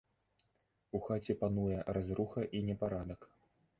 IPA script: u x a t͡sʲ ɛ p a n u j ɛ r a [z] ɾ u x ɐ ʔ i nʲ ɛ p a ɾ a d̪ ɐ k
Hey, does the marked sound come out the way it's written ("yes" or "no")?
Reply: yes